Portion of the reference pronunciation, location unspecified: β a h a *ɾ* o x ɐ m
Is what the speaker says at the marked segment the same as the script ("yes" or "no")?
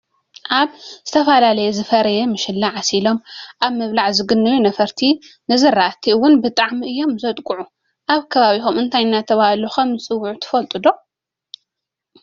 no